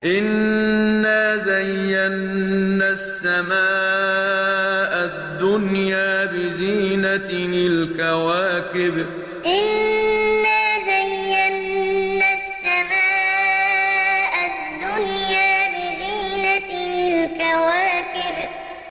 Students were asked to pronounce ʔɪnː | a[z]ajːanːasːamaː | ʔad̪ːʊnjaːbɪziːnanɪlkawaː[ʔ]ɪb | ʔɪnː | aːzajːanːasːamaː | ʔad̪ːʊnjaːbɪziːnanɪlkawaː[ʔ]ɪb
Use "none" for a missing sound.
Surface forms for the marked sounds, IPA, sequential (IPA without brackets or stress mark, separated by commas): z, k, k